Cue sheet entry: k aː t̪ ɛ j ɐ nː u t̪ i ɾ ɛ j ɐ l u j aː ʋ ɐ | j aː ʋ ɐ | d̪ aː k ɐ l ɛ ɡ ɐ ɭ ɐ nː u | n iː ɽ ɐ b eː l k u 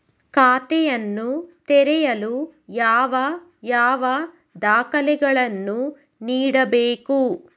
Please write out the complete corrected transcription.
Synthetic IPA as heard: k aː t̪ ɛ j ɐ nː u t̪ ɛ ɾ ɛ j ɐ l u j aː ʋ ɐ | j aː ʋ ɐ | d̪ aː k ɐ l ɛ ɡ ɐ ɭ ɐ nː u | n iː ɽ ɐ b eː k u